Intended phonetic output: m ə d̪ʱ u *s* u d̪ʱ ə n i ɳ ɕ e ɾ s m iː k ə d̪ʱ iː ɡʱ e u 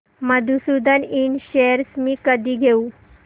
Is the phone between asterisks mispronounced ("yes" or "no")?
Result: no